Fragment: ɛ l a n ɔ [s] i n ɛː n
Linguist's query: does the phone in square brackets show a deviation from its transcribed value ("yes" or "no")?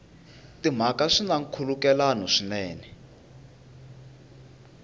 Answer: yes